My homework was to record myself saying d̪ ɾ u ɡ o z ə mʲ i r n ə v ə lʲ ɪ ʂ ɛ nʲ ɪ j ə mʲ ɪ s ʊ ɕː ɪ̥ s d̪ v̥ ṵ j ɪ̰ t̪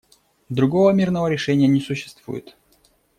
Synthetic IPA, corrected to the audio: d̪ ɾ ʊ ɡ o v ə mʲ i r n ə v ə ɾʲ ɪ ʂ ɛ nʲ ɪ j ə nʲ ɪ s ʊ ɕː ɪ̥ s t̪ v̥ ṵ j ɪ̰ t̪

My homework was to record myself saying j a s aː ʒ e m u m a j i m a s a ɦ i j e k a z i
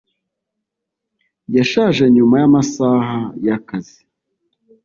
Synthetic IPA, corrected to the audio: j a ʃ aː ʒ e ɲ u m a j a m a s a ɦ a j a k a z i

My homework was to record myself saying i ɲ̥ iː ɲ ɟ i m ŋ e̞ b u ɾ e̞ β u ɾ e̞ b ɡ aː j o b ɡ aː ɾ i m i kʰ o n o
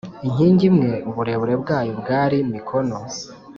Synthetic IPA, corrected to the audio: i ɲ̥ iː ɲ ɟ i m ŋ e̞ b u ɾ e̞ β u ɾ e̞ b ɡ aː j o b ɡ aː ɾ i m i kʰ o n o

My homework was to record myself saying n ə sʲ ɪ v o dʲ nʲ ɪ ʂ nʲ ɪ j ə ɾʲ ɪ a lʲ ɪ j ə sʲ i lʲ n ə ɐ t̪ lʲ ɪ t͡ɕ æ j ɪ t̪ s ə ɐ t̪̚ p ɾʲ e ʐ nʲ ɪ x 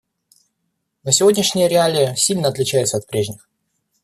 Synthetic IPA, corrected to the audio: n ə sʲ ɪ v o dʲ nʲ ɪ ʂ nʲ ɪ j ə ɾʲ ɪ a lʲ ɪ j ə sʲ i lʲ n ə ɐ t̪ lʲ ɪ t͡ɕ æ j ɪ t̪ s ə ɐ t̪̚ p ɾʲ e ʐ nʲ ɪ x

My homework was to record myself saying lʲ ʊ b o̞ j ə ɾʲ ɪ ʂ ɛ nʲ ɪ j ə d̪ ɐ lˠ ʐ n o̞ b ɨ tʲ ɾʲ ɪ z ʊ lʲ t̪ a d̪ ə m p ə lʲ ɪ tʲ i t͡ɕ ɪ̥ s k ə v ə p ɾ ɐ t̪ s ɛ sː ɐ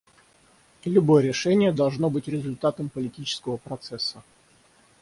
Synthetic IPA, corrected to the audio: lʲ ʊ b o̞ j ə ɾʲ ɪ ʂ ɛ nʲ ɪ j ə d̪ ɐ lˠ ʐ n o̞ b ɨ tʲ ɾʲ ɪ z ʊ lʲ t̪ a t̪ ə m p ə lʲ ɪ tʲ i t͡ɕ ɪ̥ s k ə v ə p ɾ ɐ t̪ s ɛ sː ə

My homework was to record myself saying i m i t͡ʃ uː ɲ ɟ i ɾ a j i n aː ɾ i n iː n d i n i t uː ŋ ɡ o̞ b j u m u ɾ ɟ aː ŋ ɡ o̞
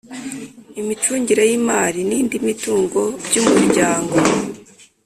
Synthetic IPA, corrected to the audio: i m i t͡ʃ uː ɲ ɟ i ɾ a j i m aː ɾ i n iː n d i m i t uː ŋ ɡ o̞ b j u m u ɾ ɟ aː ŋ ɡ o̞

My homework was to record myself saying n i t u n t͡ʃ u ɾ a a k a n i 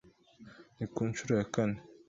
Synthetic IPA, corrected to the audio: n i k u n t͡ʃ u ɾ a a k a n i

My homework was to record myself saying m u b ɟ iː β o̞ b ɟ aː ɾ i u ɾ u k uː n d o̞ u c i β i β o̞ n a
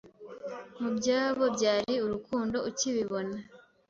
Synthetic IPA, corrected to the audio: m u b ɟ aː β o̞ b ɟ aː ɾ i u ɾ u k uː n d o̞ u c i β i β o̞ n a

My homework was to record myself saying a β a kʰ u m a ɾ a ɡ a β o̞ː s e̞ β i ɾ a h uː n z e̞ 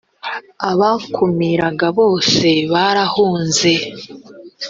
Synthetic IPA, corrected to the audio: a β a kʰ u m i ɾ a ɡ a β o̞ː s e̞ β a ɾ a h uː n z e̞

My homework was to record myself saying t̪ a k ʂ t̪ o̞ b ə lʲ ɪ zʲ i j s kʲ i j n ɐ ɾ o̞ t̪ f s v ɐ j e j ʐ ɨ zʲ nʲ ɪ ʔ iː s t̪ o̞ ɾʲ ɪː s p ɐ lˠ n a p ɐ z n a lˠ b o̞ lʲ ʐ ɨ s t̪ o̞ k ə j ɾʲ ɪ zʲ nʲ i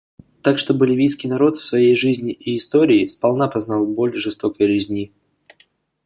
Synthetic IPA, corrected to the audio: t̪ a k ʂ t̪ o̞ b ə lʲ ɪ vʲ i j s kʲ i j n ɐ ɾ o̞ t̪ f s v ɐ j e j ʐ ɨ zʲ nʲ ɪ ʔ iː s t̪ o̞ ɾʲ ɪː s p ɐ lˠ n a p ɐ z n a lˠ b o̞ lʲ ʐ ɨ s t̪ o̞ k ə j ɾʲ ɪ zʲ nʲ i

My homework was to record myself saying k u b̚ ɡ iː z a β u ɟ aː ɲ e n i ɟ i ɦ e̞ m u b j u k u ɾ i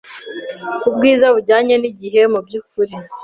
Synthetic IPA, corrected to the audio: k u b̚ ɡ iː z a β u ɟ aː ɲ e n i ɟ i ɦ e̞ m u b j u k u ɾ i

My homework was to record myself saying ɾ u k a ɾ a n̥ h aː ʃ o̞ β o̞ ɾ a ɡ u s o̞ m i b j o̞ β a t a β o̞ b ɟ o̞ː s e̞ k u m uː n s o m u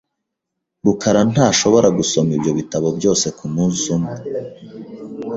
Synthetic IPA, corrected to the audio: ɾ u k a ɾ a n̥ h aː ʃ o̞ β o̞ ɾ a ɡ u s o̞ m i b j o̞ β i t a β o̞ b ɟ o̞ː s e̞ k u m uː n s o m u

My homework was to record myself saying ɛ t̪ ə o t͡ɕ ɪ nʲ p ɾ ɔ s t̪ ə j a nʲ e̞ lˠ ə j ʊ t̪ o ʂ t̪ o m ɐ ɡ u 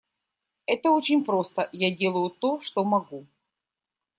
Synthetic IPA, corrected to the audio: ɛ t̪ ə o t͡ɕ ɪ nʲ p ɾ o s t̪ ə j a dʲ e̞ lˠ ə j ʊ t̪ o ʂ t̪ o m ɐ ɡ u

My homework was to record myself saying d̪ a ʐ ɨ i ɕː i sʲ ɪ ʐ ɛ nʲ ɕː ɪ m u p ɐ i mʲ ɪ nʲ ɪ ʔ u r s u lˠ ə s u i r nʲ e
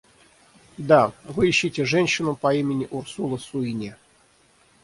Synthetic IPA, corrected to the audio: d̪ a v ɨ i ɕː i tʲ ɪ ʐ ɛ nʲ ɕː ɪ n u p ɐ i mʲ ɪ nʲ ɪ ʔ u r s u lˠ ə s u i nʲ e

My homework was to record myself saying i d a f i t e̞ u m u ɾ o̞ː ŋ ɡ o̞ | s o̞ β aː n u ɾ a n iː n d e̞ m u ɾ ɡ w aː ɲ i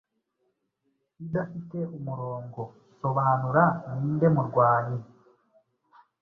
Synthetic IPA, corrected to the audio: i d a f i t e̞ u m u ɾ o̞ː ŋ ɡ o̞ | s o̞ β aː n u ɾ a n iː n d e̞ m u ɾ ɡ w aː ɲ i

